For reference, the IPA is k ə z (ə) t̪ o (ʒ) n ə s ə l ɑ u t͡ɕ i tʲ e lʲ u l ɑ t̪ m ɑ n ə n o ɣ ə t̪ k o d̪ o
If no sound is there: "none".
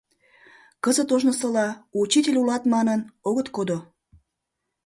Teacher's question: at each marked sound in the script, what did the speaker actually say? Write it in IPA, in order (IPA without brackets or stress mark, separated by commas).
ə, ʒ